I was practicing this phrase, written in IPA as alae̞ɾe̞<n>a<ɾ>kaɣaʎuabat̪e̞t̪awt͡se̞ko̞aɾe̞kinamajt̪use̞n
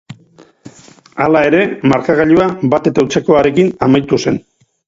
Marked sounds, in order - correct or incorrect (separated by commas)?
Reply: incorrect, correct